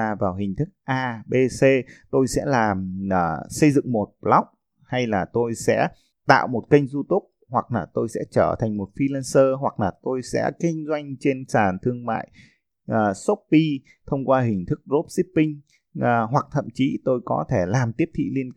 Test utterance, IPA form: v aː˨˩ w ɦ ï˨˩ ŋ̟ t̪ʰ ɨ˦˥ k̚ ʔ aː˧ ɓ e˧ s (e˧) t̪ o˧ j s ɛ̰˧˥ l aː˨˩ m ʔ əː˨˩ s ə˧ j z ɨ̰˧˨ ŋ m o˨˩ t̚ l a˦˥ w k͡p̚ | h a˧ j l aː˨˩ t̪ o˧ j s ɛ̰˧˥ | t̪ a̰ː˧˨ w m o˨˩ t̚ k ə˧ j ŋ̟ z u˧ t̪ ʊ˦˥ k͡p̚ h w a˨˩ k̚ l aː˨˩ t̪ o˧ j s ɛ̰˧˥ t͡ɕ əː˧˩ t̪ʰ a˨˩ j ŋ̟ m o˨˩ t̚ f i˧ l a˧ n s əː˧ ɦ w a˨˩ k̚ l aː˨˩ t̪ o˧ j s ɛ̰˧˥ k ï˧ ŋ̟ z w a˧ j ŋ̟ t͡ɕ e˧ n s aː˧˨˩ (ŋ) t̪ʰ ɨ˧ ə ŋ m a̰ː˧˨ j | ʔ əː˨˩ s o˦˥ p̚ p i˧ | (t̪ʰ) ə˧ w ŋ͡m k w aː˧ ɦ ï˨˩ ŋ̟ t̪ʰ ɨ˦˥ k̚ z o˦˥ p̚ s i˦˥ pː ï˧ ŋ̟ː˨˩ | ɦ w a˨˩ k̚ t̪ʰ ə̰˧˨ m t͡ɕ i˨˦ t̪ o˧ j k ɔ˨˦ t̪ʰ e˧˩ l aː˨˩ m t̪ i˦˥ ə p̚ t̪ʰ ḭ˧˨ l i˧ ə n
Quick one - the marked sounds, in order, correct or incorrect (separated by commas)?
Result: correct, incorrect, correct